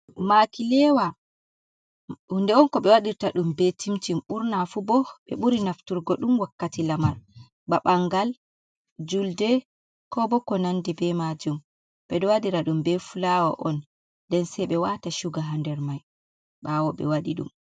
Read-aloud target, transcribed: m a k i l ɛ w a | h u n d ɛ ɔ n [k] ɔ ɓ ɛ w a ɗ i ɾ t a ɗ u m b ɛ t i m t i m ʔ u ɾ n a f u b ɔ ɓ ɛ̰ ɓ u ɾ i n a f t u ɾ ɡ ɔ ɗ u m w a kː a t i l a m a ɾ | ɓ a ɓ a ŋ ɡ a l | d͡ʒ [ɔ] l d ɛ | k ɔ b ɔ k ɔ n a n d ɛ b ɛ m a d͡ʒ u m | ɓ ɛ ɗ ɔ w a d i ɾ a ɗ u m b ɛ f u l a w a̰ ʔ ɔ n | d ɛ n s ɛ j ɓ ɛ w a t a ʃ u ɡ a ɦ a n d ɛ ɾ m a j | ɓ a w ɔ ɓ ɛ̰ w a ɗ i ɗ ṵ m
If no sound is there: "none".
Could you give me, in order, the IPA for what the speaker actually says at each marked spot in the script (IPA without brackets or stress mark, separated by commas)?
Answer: k, u